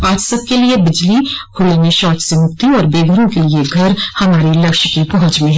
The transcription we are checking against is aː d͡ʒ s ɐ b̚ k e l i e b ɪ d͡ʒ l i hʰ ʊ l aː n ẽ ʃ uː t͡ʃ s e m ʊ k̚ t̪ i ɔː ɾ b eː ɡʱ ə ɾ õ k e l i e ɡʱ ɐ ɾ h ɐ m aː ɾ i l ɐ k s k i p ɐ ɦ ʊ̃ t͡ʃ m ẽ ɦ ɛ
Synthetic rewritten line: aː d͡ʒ s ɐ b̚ k e l i e b ɪ d͡ʒ l i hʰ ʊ l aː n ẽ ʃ ɔː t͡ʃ s e m ʊ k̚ t̪ i ɔː ɾ b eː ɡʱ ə ɾ õ k e l i e ɡʱ ɐ ɾ h ɐ m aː ɾ i l ɐ k ʃ k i p ɐ ɦ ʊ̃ t͡ʃ m ẽ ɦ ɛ